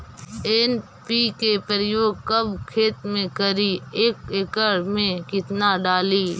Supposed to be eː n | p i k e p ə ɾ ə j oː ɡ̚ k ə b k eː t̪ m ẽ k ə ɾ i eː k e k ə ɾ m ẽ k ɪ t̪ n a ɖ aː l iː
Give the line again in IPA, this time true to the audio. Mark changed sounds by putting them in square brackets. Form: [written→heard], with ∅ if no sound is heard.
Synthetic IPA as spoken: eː n | p i k e p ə ɾ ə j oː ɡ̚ k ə b [k→kʰ] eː t̪ m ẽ k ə ɾ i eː k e k ə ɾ m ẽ k ɪ t̪ n a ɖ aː l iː